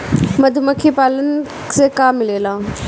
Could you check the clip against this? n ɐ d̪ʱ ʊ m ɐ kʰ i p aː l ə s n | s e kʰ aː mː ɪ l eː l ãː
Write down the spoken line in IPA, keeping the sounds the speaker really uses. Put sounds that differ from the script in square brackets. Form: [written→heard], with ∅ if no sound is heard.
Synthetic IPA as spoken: [n→m] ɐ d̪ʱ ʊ m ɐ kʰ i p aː l ə [s→∅] n | s e [kʰ→k] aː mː ɪ l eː l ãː